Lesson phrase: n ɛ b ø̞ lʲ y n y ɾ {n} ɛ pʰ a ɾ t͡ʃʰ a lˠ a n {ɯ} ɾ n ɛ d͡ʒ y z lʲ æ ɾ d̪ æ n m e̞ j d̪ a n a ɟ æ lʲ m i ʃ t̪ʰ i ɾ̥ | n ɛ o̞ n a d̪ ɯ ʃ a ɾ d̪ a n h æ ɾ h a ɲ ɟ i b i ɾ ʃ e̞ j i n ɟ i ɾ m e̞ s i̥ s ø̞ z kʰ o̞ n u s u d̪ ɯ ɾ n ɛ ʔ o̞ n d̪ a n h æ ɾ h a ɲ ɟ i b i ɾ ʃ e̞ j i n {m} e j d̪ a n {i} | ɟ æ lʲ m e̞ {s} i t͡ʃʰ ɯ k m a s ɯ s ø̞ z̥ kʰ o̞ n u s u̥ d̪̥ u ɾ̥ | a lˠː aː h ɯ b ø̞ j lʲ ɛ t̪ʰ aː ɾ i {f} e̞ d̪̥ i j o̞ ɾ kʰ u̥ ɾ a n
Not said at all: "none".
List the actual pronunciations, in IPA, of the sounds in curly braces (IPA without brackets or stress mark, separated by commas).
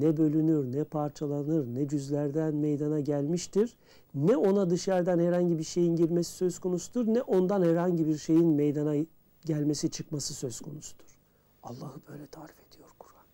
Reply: n, ɯ, m, a, s, f